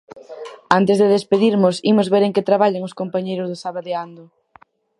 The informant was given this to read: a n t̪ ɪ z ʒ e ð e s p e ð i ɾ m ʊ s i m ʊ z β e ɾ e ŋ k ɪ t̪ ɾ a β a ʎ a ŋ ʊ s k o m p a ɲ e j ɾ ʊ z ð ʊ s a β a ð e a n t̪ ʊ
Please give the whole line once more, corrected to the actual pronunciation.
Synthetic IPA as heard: a n t̪ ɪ z ð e ð e s p e ð i ɾ m ʊ s i m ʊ z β e ɾ e ŋ k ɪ t̪ ɾ a β a ʎ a ŋ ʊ s k o m p a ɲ e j ɾ ʊ z ð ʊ s a β a ð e a n d̪ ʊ